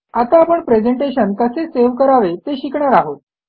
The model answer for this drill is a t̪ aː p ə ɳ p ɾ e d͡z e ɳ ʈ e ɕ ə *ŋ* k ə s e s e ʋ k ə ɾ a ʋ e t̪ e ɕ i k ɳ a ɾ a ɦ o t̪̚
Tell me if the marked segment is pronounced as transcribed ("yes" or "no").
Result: no